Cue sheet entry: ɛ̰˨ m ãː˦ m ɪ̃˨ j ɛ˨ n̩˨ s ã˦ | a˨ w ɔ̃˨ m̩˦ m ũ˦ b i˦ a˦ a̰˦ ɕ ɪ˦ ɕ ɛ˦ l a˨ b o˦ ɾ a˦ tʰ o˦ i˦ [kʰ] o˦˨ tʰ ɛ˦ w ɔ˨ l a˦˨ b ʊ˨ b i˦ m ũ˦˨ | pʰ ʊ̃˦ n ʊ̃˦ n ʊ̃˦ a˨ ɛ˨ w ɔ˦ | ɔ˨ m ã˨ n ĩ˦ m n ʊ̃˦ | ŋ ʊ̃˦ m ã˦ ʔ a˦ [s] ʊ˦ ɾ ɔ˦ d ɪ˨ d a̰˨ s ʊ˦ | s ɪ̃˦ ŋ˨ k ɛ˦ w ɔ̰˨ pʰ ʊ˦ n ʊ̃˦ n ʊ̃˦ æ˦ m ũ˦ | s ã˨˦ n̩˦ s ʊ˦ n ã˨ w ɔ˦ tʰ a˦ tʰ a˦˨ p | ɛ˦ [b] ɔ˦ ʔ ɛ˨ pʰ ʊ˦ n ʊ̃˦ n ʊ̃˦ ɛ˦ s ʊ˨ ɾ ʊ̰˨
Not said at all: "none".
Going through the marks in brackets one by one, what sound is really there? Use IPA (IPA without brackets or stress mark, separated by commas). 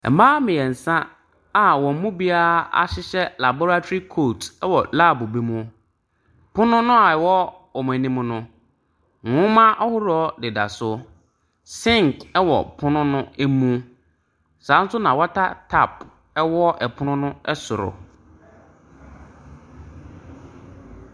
kʰ, h, w